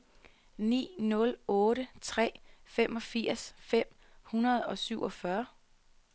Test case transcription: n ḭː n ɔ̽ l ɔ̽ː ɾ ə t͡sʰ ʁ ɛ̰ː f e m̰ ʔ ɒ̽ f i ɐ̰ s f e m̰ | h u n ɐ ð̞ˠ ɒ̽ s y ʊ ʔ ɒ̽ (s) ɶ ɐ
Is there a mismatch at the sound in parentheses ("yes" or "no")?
yes